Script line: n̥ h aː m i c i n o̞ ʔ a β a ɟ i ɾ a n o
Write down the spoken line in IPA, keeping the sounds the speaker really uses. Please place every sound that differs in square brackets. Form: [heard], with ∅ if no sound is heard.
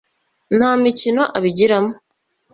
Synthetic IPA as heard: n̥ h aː m i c i n o̞ ʔ a β [i] ɟ i ɾ a [m] o

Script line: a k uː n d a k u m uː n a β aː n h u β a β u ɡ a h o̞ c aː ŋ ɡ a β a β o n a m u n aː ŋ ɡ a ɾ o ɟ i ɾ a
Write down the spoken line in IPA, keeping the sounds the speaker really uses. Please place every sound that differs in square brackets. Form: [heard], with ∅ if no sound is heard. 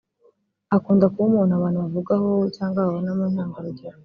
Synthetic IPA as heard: a k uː n d a k u m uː n a β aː n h u β a [v] u ɡ a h o̞ c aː ŋ ɡ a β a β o n a m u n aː ŋ ɡ a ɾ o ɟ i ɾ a

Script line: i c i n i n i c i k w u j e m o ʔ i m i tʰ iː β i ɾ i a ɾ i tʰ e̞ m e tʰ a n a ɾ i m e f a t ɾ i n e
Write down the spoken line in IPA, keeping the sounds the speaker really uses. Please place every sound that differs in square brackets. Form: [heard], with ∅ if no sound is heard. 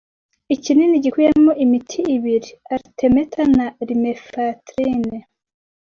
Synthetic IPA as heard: i c i n i n i [ɟ] i k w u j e m o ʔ i m i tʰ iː β i ɾ i a ɾ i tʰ e̞ m e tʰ a n a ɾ i m e f a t ɾ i n e

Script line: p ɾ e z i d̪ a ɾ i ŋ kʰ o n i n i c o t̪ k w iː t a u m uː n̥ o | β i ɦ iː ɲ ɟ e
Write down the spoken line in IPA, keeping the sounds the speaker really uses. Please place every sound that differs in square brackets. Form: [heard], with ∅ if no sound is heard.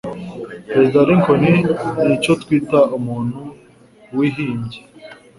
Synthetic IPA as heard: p ɾ e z i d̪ a ɾ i ŋ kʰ o n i n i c o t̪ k w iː t a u m uː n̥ [u] | [w] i ɦ iː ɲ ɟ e

